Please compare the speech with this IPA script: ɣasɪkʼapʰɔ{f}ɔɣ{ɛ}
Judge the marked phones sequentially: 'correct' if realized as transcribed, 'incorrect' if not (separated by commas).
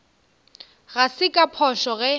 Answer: incorrect, correct